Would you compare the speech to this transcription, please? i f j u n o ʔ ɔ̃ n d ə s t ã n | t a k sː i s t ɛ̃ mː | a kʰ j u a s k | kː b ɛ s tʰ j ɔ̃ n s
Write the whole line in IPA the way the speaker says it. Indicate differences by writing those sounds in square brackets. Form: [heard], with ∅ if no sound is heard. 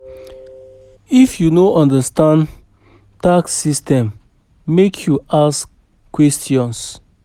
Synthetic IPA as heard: i f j u n o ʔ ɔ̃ n d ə s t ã n | t a k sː i s t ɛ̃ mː | [e] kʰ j u a s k | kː [w] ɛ s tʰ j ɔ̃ n s